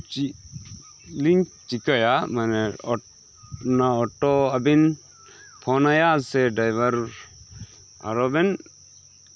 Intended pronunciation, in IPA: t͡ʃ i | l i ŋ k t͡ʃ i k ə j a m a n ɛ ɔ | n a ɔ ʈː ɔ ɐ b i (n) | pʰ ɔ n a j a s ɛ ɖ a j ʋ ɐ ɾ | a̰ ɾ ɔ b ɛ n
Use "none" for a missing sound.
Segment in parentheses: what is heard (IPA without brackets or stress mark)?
n